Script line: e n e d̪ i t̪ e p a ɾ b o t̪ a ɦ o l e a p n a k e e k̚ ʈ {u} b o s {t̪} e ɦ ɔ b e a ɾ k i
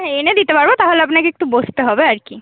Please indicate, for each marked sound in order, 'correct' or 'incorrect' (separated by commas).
correct, correct